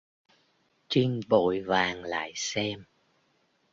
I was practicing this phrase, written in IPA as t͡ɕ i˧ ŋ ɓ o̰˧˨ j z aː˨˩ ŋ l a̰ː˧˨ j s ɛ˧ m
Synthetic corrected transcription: t͡ɕ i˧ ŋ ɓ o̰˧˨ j v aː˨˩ ŋ l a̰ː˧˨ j s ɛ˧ m